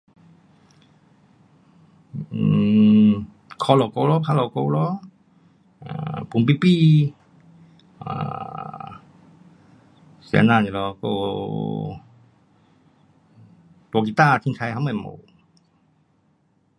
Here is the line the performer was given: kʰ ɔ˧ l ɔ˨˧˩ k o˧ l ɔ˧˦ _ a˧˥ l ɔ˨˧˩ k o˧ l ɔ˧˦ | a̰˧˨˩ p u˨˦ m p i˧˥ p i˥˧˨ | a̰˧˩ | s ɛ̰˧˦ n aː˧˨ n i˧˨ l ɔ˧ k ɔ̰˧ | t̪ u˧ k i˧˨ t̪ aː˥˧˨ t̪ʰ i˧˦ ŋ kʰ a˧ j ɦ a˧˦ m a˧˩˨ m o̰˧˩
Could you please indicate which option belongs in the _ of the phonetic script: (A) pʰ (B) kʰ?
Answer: A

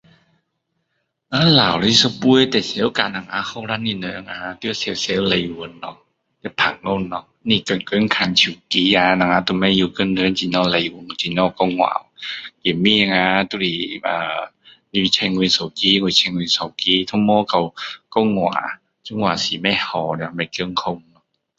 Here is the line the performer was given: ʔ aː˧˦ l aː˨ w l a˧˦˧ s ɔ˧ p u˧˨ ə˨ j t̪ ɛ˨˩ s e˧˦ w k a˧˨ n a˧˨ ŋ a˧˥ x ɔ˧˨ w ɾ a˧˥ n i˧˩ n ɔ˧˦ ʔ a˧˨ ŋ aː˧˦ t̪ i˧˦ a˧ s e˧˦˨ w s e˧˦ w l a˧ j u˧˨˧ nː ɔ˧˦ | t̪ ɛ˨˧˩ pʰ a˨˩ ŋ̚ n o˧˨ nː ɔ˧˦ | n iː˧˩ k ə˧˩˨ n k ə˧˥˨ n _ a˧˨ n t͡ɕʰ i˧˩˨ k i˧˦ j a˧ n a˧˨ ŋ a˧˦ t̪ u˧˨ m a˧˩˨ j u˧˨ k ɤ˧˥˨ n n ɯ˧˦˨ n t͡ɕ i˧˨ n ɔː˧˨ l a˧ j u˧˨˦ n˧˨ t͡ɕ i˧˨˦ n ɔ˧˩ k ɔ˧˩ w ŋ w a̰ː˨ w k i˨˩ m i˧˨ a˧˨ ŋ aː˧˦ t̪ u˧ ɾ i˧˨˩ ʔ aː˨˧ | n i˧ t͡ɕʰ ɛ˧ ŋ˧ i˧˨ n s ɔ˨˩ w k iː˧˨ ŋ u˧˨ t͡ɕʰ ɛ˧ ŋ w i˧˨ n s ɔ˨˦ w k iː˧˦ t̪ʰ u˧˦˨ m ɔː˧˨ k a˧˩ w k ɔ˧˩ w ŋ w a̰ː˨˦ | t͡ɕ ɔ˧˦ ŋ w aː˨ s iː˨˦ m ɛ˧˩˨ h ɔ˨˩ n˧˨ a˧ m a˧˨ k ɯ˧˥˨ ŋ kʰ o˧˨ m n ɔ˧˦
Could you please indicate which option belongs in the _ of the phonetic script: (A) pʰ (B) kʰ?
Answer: B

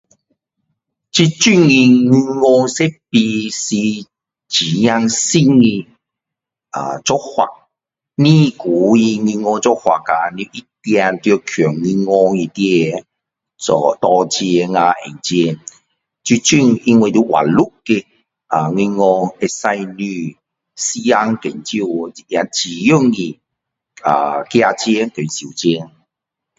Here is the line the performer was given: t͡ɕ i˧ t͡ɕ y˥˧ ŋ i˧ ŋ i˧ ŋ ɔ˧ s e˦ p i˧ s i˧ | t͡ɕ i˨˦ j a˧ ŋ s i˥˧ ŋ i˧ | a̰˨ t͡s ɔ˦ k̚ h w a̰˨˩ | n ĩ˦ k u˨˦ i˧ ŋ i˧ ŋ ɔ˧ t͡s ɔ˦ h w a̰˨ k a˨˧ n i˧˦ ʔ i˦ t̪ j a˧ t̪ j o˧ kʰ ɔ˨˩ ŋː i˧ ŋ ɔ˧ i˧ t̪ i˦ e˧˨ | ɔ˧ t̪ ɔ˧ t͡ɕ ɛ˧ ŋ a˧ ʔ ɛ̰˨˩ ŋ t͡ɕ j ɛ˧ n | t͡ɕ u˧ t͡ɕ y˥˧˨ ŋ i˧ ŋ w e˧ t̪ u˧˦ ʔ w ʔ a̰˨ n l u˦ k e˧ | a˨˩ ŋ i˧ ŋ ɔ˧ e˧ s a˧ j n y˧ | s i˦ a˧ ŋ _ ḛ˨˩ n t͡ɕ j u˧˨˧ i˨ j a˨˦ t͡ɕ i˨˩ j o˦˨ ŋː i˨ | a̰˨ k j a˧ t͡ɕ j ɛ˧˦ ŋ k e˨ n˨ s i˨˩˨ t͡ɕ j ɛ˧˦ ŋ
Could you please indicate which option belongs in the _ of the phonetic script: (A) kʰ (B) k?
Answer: B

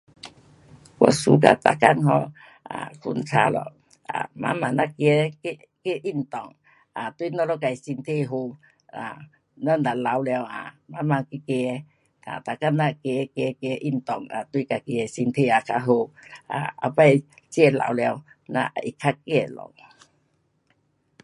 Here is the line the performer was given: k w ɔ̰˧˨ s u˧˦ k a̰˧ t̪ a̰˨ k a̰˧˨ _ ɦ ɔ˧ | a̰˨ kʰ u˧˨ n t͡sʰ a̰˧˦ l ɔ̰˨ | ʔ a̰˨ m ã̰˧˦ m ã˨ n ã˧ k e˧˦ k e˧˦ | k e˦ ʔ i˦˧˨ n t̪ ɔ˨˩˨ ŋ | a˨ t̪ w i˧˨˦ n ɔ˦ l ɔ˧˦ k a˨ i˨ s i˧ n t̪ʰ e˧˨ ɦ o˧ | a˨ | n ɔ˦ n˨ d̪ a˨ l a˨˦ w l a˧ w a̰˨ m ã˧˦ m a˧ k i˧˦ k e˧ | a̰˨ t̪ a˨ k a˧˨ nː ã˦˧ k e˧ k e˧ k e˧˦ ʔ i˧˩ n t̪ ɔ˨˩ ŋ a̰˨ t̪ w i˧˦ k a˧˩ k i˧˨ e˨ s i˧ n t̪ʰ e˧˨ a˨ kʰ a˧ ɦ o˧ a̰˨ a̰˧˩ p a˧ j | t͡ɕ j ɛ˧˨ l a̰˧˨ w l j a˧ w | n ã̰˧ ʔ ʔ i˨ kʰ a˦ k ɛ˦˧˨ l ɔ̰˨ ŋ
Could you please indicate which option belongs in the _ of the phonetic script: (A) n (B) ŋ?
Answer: A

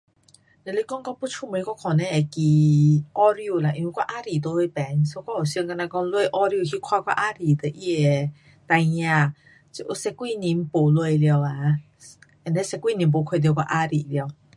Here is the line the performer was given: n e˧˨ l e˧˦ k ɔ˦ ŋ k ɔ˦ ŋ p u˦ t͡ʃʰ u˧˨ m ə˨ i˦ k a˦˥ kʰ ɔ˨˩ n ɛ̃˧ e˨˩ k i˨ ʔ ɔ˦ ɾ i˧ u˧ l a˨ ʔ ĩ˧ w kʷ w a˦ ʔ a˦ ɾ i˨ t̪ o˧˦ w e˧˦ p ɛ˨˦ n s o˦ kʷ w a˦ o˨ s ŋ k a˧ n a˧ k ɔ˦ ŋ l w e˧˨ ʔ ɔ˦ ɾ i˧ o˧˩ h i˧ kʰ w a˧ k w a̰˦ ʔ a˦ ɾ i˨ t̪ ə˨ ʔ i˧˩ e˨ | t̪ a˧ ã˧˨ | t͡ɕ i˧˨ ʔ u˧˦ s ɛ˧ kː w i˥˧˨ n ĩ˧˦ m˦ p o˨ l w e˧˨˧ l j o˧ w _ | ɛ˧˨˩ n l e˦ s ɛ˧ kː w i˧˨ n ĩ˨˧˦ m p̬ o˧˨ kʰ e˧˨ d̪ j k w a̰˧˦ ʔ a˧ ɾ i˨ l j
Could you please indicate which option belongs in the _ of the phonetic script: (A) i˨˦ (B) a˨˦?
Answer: B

